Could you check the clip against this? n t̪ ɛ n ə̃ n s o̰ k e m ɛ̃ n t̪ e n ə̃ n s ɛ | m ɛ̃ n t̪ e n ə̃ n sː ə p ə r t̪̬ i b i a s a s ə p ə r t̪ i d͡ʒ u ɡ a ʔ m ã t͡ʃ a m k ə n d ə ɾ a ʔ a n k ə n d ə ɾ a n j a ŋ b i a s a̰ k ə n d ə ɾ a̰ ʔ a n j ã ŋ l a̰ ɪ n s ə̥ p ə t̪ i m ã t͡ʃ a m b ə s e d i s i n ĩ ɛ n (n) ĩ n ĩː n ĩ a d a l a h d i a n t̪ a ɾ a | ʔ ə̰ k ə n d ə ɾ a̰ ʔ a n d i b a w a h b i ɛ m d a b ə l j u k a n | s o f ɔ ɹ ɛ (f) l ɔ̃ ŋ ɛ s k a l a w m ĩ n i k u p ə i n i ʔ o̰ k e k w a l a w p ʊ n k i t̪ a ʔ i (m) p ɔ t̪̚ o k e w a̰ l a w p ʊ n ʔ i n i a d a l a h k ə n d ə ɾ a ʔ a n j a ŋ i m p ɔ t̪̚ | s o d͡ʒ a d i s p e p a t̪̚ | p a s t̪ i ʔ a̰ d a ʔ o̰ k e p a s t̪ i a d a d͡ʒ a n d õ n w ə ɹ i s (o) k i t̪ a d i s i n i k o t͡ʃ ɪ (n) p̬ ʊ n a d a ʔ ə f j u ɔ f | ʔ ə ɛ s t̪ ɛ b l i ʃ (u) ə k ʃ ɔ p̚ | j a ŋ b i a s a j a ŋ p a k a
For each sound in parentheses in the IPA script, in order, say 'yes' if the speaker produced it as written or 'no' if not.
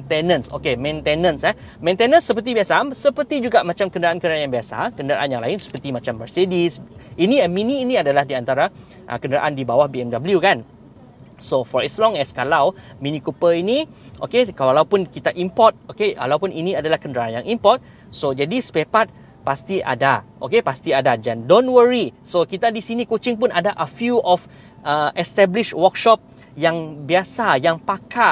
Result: no, no, yes, yes, no, no

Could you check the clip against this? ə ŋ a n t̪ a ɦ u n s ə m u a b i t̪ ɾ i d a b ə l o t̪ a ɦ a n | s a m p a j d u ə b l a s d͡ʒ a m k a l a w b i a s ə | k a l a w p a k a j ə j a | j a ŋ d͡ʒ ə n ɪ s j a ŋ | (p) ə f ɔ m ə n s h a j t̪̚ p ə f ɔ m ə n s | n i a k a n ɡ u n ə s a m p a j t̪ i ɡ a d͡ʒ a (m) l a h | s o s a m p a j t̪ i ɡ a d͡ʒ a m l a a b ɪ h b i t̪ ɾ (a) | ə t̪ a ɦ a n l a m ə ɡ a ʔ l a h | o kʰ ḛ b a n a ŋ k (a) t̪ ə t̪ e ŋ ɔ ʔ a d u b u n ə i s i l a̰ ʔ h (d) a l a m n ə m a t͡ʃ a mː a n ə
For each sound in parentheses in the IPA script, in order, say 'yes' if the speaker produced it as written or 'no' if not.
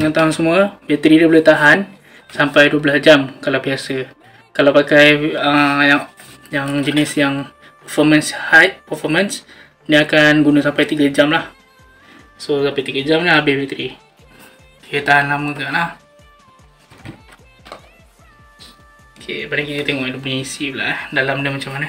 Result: yes, yes, no, no, yes

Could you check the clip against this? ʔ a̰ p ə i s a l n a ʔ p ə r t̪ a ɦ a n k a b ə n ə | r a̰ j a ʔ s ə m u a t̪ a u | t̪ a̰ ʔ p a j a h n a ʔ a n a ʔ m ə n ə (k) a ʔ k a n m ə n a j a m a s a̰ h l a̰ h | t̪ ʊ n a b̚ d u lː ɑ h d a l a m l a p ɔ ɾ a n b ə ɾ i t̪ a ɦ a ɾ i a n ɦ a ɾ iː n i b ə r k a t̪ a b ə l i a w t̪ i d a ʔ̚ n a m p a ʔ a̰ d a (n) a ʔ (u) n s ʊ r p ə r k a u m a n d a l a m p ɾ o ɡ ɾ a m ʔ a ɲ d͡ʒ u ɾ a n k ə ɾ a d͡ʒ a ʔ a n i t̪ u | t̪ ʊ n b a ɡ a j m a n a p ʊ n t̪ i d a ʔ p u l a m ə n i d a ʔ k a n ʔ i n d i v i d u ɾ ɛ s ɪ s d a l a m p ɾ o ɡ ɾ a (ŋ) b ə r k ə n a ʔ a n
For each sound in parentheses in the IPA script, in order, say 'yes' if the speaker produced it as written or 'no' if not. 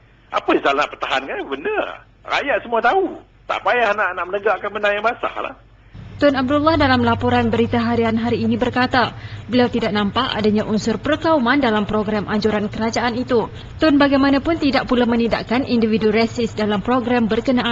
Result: no, no, yes, no

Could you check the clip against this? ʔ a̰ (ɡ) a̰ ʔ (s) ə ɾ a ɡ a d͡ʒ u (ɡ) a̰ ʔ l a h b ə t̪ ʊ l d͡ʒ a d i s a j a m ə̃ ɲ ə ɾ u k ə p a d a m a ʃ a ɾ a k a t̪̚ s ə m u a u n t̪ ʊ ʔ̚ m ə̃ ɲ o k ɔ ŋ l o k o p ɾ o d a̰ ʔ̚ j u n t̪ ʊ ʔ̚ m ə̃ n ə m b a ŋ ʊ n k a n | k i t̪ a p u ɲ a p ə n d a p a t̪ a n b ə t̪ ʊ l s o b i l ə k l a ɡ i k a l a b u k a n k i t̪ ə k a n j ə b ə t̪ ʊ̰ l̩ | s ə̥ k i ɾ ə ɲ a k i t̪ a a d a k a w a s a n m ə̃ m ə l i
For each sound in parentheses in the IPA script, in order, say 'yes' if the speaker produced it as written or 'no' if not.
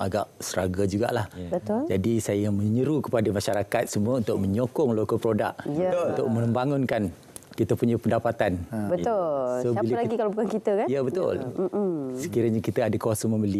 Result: yes, yes, yes

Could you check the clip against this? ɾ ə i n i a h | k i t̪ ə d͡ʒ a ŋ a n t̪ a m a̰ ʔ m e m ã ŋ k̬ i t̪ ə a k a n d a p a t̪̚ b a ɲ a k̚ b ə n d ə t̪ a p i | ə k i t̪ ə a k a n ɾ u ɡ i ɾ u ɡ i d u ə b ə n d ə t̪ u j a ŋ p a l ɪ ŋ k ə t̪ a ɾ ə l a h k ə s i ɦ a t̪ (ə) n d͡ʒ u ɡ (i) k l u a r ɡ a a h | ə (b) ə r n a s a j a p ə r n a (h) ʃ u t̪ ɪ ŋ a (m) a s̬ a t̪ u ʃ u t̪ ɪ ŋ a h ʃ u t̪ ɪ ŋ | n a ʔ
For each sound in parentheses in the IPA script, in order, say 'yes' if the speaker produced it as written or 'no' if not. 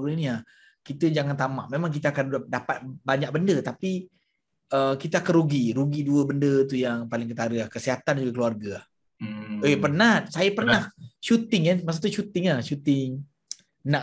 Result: no, no, no, yes, yes

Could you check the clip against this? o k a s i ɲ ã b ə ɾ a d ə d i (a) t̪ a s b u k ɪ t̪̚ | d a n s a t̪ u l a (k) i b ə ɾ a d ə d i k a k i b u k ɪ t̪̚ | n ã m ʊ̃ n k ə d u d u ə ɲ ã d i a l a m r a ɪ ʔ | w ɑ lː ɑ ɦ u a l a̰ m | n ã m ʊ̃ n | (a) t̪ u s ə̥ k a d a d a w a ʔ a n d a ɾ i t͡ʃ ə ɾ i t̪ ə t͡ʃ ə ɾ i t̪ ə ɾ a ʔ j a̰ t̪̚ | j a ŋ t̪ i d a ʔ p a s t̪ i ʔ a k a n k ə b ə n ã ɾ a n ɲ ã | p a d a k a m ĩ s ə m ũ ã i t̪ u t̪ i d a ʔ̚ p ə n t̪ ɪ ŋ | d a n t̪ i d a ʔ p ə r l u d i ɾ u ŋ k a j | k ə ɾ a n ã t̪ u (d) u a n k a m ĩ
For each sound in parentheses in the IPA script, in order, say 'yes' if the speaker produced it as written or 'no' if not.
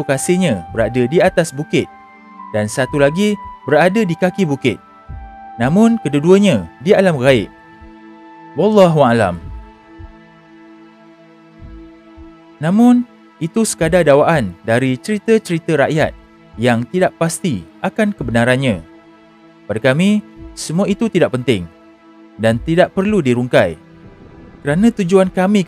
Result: yes, no, no, no

